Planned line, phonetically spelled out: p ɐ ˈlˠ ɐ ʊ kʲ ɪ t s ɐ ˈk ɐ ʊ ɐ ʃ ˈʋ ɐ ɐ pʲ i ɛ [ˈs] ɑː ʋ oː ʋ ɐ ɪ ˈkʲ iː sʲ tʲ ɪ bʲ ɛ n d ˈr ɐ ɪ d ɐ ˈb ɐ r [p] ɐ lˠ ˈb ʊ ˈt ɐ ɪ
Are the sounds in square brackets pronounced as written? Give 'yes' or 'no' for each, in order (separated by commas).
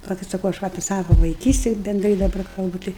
yes, no